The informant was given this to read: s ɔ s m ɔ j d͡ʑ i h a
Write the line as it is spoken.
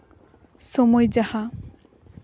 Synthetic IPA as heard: s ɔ m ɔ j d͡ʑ a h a